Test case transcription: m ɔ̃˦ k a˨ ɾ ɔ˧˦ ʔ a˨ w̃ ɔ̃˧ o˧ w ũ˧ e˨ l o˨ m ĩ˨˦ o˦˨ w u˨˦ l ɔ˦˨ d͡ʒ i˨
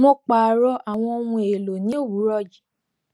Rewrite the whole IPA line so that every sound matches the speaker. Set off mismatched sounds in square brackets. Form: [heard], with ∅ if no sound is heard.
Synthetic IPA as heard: m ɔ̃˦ [k͡p] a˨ ɾ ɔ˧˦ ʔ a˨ w̃ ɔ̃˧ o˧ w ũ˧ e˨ l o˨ [n] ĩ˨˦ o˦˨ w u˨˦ [ɾ] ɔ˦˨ d͡ʒ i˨